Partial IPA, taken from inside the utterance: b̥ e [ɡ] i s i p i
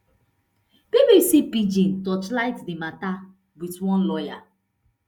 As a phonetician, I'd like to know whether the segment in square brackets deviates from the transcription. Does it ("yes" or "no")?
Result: yes